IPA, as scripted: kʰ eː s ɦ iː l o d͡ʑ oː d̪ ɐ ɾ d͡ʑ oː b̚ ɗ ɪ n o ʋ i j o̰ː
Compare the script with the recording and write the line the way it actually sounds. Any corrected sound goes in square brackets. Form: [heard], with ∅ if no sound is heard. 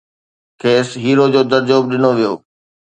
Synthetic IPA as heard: kʰ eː s ɦ iː [ɾ] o d͡ʑ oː d̪ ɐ ɾ d͡ʑ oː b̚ ɗ ɪ n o ʋ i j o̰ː